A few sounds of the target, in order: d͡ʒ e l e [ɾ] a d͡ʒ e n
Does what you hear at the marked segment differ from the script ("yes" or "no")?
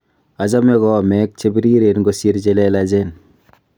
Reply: yes